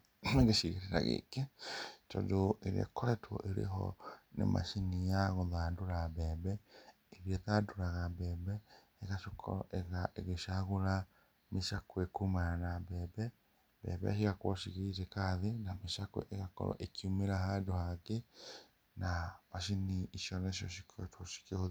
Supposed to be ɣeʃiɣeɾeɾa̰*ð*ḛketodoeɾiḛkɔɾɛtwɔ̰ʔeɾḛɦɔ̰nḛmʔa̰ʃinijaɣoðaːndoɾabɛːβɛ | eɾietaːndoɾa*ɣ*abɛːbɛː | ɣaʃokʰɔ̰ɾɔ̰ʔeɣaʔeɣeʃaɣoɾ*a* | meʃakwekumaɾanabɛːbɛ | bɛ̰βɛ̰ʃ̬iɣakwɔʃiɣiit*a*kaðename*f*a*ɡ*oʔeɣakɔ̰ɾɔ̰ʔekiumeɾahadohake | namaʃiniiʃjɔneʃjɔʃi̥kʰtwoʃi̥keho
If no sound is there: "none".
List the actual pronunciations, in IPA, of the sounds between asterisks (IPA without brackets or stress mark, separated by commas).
ɣ, ɣ, a, e, ʃ, k